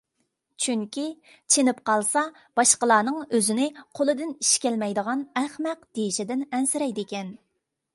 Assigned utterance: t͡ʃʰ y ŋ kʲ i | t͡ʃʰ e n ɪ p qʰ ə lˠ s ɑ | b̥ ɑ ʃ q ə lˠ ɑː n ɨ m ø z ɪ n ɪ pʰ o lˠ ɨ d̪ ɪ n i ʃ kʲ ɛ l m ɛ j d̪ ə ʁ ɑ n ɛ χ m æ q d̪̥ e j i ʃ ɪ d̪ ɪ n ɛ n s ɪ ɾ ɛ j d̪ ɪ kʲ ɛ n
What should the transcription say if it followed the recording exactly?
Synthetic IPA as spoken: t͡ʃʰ y ŋ kʲ i | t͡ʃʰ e n ɪ p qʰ ɑ lˠ s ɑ | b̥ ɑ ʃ q ə lˠ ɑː n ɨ ŋ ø z ɪ n ɪ qʰ o lˠ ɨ d̪ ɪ n i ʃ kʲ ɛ l m ɛ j d̪ ə ʁ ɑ n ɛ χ m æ q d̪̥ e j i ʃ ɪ d̪ ɪ n ɛ n s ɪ ɾ ɛ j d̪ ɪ kʲ ɛ n

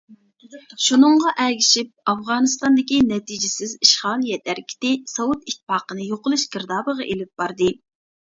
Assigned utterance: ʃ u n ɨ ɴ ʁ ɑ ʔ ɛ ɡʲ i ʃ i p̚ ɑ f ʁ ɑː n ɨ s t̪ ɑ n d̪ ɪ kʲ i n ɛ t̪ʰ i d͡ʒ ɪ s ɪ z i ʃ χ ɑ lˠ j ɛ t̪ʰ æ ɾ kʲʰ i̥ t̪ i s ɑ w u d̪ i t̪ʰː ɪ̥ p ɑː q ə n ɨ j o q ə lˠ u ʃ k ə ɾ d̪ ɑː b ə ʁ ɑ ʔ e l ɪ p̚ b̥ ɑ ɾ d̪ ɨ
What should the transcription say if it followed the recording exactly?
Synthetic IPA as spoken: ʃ u n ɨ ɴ ʁ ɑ ʔ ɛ ɡʲ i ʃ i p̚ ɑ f ʁ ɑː n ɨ s t̪ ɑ n d̪ ɪ kʲ i n ɛ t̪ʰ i d͡ʒ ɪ s ɪ z i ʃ χ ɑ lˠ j ɛ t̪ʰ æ ɾ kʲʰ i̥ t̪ ɪ s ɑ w u t̪ i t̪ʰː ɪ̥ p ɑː q ə n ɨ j o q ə lˠ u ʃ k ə ɾ d̪ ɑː b ə ʁ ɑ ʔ e l ɪ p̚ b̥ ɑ ɾ d̪ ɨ

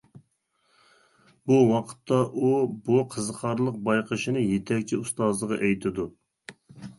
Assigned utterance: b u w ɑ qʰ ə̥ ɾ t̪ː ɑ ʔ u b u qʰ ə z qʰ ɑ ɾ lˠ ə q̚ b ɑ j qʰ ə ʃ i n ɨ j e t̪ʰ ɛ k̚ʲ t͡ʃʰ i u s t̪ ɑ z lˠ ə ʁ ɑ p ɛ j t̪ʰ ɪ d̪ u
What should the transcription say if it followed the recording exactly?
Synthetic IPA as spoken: b u w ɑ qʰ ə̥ t̪ː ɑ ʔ u b u qʰ ə z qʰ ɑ ɾ lˠ ə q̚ b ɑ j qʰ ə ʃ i n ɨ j e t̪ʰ ɛ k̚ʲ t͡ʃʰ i u s t̪ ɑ z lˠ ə ʁ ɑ ʔ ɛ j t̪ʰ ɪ d̪ u

